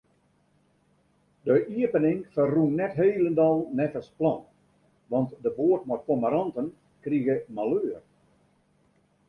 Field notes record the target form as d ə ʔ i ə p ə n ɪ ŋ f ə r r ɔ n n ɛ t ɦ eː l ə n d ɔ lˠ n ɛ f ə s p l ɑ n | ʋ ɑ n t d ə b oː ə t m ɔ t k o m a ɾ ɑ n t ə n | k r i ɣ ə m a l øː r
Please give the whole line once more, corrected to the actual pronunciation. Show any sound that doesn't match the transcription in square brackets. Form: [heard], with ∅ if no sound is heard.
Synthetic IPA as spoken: d ə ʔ i ə p ə n ɪ ŋ f ə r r [u] n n ɛ t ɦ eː l ə n d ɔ lˠ n ɛ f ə s p l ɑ n | ʋ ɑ n t d ə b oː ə t m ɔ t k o m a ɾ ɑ n t ə n | k r i ɣ ə m a l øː r